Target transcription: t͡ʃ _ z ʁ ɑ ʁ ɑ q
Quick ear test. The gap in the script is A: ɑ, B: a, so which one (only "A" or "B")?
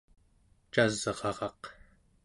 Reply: B